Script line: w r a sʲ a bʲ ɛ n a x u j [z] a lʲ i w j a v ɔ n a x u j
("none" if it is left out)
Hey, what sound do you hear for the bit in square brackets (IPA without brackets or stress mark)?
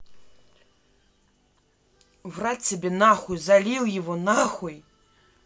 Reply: z